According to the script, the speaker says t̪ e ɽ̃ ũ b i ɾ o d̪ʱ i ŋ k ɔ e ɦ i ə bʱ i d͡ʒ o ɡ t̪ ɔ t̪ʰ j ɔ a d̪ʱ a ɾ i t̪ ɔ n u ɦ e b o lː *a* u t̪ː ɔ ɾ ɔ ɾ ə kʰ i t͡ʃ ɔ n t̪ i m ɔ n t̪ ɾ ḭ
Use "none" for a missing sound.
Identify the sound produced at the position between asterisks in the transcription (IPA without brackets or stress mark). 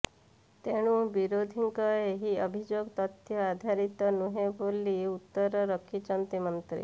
i